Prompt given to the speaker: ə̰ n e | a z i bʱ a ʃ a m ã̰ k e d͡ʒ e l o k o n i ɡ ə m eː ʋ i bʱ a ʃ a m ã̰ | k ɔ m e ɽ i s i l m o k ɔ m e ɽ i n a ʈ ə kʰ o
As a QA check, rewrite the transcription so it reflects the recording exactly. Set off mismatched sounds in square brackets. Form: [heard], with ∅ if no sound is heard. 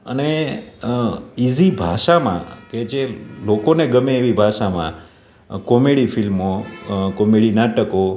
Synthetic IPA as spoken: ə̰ n e | [i] z i bʱ a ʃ a m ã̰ k e d͡ʒ e l o k o n [e] ɡ ə m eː ʋ i bʱ a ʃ a m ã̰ | k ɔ m e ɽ i [f] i l m o k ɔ m e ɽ i n a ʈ ə [k] o